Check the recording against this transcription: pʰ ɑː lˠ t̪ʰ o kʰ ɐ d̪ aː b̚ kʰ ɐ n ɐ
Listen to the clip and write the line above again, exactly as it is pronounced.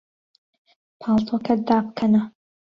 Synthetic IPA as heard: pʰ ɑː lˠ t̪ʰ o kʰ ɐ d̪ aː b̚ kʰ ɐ n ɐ